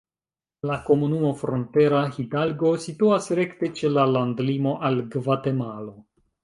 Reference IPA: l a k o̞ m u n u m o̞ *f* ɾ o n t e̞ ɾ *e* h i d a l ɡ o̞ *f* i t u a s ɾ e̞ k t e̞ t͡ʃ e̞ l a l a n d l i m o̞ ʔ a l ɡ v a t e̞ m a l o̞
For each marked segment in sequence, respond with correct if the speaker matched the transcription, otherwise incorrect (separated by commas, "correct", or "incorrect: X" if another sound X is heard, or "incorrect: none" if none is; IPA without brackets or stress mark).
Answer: correct, incorrect: a, incorrect: s